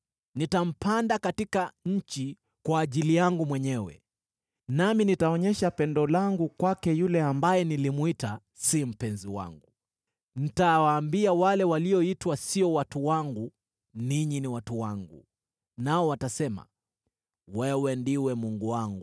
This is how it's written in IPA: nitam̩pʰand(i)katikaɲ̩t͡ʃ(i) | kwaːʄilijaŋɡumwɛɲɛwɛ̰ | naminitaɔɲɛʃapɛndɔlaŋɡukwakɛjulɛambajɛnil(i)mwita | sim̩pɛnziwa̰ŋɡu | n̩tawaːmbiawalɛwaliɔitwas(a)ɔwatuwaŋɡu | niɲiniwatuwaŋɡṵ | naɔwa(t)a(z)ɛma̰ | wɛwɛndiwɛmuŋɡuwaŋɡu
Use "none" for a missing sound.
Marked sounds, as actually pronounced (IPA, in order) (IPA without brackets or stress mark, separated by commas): a, i, i, i, t, s